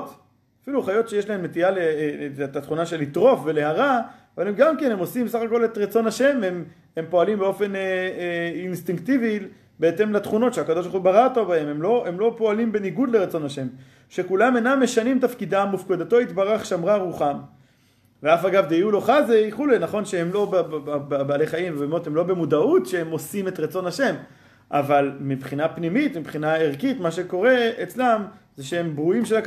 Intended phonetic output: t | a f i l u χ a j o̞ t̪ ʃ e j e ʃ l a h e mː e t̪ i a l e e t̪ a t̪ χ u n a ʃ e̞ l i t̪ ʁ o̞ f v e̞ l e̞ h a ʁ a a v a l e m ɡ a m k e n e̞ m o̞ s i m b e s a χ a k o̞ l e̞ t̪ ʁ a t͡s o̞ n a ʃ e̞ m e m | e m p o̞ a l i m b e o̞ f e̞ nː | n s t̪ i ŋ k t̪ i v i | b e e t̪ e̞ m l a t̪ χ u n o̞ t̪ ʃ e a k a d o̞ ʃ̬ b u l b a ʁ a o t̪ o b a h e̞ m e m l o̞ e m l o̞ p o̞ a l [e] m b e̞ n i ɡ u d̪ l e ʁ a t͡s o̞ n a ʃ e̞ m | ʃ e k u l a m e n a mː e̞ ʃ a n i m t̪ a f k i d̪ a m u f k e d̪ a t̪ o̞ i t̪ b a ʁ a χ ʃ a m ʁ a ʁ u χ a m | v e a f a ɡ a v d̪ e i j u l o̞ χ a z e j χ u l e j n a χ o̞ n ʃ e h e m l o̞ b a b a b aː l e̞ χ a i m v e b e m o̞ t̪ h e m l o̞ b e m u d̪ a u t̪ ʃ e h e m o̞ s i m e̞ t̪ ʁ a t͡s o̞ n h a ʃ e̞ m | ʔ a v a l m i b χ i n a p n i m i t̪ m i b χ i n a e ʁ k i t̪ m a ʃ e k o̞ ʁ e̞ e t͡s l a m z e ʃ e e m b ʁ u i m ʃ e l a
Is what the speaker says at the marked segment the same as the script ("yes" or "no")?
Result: no